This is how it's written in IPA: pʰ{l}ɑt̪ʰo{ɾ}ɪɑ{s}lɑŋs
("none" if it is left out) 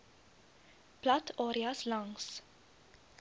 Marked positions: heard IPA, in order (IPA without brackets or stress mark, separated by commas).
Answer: l, ɾ, s